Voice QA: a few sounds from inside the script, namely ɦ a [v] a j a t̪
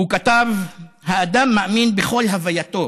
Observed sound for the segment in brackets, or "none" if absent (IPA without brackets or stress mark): v